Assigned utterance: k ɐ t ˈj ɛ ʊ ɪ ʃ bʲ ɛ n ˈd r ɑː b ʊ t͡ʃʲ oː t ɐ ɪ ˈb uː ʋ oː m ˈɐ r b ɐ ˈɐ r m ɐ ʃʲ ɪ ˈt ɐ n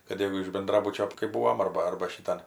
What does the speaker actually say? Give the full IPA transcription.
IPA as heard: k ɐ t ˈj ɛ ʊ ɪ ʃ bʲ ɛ n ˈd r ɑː b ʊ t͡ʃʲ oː k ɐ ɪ ˈb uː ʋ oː m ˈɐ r b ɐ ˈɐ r b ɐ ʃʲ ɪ ˈt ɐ n